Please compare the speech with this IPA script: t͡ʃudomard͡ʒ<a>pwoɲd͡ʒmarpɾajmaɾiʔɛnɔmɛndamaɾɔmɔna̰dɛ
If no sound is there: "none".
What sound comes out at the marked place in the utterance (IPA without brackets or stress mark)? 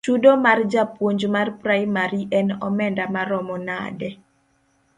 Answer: a